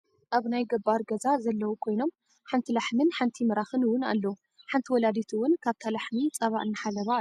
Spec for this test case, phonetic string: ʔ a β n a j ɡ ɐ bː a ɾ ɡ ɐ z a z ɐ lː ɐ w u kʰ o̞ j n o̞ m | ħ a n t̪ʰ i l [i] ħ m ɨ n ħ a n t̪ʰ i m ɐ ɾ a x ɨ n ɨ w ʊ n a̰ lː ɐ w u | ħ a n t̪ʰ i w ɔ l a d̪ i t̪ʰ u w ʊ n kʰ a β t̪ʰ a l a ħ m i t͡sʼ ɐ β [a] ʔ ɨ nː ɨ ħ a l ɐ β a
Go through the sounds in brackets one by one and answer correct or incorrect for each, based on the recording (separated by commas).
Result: incorrect, correct